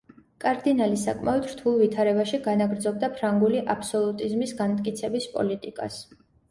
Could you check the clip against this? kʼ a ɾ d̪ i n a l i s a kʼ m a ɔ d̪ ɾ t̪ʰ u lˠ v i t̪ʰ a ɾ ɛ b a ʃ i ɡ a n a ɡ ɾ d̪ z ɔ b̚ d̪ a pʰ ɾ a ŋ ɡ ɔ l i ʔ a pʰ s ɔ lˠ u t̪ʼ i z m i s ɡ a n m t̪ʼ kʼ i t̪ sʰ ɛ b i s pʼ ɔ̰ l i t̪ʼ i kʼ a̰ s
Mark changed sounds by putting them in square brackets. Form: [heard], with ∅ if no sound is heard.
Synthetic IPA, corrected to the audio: kʼ a ɾ d̪ i n a l i s a kʼ m a ɔ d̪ ɾ t̪ʰ u lˠ v i t̪ʰ a ɾ ɛ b a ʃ i ɡ a n a ɡ ɾ d̪ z ɔ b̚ d̪ a pʰ ɾ a ŋ ɡ [u] l i ʔ a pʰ s ɔ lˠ u t̪ʼ i z m i s ɡ a n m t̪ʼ kʼ i t̪ sʰ ɛ b i s pʼ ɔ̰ l i t̪ʼ i kʼ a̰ s